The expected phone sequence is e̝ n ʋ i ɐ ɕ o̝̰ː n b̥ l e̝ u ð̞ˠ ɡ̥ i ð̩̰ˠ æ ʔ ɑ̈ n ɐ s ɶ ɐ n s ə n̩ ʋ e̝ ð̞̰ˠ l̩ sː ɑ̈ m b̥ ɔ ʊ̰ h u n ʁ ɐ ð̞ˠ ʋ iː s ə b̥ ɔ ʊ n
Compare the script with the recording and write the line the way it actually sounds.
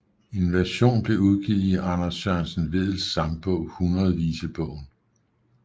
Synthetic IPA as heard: e̝ n ʋ æ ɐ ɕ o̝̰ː n b̥ l e̝ u ð̞ˠ ɡ̥ i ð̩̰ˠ i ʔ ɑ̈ n ɐ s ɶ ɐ n s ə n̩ ʋ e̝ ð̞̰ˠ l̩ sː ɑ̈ m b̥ ɔ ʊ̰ h u n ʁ ɐ ð̞ˠ ʋ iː s ə b̥ ɔ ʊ n